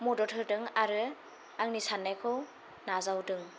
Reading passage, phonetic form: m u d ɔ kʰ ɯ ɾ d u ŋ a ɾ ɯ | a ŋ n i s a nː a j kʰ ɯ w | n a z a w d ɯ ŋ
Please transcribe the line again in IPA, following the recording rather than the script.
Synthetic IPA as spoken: m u d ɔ tʰ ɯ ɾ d ɯ ŋ a ɾ ɯ | a ŋ n i s a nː a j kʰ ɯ w | n a z a w d ɯ ŋ